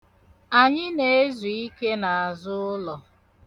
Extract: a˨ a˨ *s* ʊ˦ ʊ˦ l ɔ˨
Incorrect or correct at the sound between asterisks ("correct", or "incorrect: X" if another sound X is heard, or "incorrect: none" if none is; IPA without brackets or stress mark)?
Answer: incorrect: z